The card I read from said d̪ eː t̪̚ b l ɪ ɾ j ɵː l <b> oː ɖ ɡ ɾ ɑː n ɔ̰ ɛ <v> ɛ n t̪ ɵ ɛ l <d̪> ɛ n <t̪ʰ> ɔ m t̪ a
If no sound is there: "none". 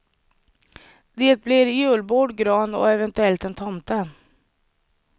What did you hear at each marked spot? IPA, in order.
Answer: b, v, t̪, t̪ʰ

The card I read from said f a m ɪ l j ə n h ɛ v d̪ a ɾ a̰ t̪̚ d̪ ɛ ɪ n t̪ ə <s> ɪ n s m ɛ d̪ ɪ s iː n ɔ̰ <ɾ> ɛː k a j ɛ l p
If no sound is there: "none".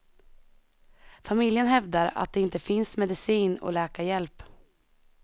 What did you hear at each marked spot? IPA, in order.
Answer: f, l

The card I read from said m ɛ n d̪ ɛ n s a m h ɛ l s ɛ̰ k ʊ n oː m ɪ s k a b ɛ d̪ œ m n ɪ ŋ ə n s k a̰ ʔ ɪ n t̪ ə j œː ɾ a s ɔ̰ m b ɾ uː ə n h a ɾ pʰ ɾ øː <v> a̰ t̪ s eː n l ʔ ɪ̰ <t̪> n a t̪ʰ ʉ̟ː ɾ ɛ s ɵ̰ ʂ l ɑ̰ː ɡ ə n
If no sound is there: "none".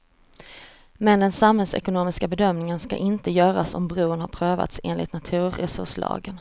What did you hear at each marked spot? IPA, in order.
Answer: v, t̪

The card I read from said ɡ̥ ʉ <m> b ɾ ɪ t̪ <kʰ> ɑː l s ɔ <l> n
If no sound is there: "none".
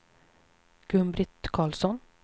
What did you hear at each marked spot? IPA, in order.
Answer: m, kʰ, none

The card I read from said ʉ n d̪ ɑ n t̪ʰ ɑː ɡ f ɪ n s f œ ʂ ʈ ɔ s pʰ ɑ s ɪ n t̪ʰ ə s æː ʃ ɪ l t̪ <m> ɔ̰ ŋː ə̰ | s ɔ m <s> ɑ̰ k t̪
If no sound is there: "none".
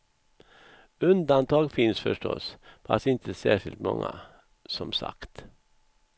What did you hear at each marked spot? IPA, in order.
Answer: m, s

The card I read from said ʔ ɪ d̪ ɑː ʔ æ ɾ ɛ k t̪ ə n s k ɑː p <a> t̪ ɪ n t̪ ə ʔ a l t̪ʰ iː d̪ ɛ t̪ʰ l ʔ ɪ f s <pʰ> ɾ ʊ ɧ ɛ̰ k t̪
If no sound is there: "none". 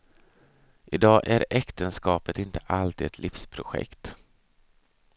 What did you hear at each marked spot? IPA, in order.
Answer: ə, pʰ

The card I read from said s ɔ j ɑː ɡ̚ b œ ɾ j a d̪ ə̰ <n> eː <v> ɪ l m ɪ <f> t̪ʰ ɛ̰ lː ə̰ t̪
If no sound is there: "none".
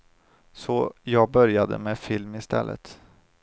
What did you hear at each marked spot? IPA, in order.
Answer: m, f, s

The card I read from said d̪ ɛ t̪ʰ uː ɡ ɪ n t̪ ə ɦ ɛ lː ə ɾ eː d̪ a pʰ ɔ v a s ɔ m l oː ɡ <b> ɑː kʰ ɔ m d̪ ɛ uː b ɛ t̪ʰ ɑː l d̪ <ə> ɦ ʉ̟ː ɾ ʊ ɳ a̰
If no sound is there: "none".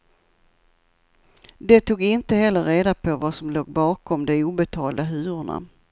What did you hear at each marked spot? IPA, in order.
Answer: b, a

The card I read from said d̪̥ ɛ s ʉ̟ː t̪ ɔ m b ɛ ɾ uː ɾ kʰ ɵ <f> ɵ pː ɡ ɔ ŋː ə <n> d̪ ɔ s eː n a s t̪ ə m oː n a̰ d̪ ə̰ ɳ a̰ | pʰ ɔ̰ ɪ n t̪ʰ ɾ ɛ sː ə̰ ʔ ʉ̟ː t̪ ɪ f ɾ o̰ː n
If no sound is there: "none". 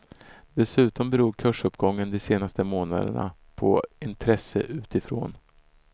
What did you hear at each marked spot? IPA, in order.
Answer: ʂ, n

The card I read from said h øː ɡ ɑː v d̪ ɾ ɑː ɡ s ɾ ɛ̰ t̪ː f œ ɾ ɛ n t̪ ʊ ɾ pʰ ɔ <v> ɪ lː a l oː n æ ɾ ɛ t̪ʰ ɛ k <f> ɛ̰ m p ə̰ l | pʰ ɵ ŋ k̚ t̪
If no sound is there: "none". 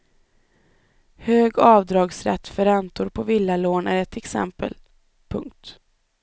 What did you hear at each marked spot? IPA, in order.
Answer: v, s

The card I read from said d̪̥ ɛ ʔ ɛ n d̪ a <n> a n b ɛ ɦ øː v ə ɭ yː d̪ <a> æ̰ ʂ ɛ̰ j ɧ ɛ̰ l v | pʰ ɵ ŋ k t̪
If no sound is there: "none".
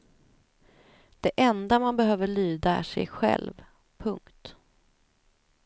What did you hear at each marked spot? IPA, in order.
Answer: m, a

